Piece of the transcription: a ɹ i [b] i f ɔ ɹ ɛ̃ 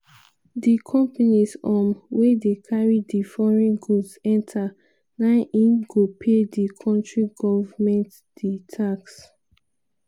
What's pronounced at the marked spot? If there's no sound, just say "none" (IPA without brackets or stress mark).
d